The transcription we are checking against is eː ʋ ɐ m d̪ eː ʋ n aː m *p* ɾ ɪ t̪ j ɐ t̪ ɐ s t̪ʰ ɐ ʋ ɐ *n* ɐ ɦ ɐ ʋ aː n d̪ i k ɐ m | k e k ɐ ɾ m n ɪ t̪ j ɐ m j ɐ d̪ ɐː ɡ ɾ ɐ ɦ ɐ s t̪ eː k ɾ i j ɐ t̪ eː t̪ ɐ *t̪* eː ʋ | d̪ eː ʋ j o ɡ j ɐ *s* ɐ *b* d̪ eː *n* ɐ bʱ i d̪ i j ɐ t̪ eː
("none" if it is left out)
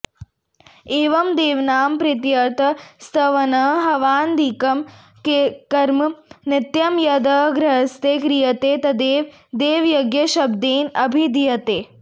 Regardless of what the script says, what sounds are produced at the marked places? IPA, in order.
p, n, d̪, ʃ, b, n

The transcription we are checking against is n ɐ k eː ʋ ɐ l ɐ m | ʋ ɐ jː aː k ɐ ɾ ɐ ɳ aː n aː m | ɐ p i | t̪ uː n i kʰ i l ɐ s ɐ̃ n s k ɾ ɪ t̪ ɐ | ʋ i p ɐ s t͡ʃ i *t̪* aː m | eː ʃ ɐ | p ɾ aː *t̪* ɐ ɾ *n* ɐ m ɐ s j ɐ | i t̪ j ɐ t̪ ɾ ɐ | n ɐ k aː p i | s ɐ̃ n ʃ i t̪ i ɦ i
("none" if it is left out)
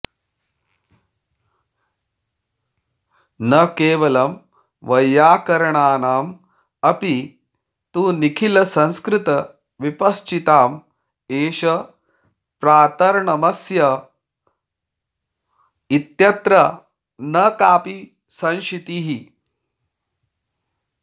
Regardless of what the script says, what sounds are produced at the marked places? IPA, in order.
t̪, t̪, ɳ

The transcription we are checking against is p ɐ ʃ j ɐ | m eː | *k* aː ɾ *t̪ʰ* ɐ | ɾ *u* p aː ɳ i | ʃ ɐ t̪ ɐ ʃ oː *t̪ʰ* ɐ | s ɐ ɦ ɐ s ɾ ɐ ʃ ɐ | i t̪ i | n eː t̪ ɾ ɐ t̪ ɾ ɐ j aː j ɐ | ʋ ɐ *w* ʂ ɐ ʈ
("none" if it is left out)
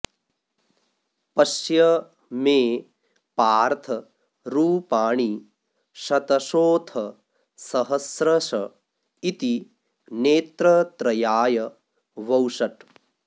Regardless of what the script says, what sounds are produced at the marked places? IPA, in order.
p, t̪ʰ, uː, t̪ʰ, w

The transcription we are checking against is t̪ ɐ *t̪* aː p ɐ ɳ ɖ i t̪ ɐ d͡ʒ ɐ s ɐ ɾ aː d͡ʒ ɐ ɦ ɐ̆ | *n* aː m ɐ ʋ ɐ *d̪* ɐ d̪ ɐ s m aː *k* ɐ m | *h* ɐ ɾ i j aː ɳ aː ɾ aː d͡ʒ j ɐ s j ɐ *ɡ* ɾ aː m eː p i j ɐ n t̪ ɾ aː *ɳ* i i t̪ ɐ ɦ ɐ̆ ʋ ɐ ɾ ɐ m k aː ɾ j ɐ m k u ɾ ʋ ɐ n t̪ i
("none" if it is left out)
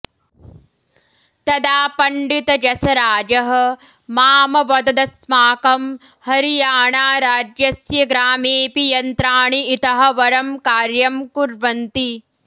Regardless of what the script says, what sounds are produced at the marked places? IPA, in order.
d̪, m, d̪, k, h, ɡ, ɳ

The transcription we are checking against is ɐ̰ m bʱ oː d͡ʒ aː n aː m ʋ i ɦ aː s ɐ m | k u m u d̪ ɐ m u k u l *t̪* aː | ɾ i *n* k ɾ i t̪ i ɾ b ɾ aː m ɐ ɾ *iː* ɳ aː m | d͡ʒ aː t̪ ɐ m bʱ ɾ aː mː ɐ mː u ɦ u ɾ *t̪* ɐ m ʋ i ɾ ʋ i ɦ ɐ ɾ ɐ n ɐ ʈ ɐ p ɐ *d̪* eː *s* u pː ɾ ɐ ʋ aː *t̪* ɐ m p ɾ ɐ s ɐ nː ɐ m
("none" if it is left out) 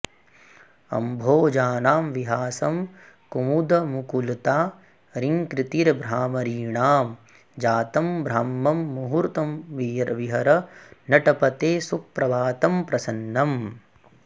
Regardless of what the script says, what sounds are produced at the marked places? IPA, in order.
t̪, ŋ, iː, t̪, t̪, s, t̪

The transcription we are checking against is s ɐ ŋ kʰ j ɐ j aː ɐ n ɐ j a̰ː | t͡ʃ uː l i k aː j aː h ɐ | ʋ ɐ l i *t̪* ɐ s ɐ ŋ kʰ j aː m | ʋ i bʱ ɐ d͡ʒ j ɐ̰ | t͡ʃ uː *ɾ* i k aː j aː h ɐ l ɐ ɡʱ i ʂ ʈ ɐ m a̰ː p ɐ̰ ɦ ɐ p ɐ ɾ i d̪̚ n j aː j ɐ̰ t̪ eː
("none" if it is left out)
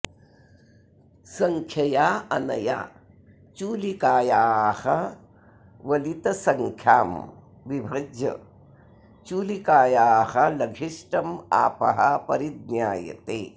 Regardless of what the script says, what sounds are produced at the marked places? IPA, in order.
t̪, l

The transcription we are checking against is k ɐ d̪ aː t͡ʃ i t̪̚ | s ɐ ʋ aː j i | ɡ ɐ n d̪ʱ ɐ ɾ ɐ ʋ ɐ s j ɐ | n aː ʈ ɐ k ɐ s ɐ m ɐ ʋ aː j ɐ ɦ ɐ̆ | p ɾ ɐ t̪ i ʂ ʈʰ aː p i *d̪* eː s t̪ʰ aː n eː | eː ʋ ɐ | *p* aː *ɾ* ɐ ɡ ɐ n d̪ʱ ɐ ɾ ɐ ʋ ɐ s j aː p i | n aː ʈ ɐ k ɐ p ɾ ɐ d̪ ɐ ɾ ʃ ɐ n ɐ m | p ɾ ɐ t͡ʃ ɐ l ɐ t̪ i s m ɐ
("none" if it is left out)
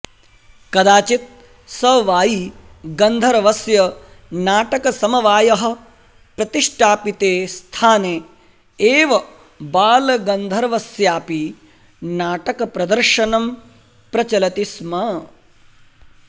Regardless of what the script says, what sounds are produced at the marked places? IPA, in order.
t̪, b, l

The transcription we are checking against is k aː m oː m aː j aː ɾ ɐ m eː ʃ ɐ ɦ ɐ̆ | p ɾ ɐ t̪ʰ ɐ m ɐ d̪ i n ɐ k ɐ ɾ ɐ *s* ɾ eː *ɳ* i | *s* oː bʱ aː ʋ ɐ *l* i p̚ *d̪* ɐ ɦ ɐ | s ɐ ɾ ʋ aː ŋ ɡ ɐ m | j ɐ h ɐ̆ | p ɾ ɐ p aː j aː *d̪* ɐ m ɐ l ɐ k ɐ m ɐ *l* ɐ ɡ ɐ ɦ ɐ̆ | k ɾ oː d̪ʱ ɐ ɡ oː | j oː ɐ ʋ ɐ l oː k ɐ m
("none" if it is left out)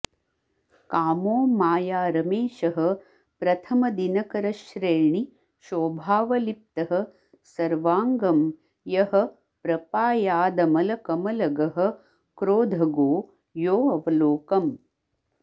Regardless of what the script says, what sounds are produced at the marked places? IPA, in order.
ʃ, ɳ, ʃ, l, t̪, d̪, l

